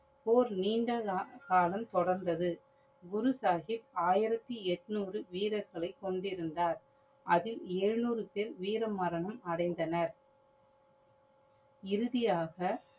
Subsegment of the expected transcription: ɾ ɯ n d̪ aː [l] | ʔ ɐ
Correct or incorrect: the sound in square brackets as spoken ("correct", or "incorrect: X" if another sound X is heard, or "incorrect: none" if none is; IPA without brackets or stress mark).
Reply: incorrect: ɾ